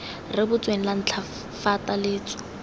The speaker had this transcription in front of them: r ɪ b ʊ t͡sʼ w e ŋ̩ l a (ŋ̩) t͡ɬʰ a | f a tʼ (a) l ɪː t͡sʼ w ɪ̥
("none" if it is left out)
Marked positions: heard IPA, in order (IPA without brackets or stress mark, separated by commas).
n̩, a